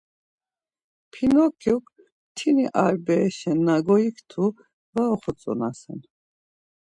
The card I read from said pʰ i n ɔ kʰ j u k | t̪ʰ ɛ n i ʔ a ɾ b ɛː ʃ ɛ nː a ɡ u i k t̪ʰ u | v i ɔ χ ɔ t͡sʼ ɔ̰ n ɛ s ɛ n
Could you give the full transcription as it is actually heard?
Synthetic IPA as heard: pʰ i n ɔ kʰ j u k | t̪ʰ i n i ʔ a ɾ b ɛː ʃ ɛ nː a ɡ ɔ i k t̪ʰ u | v a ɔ χ ɔ t͡sʼ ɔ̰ n a s ɛ n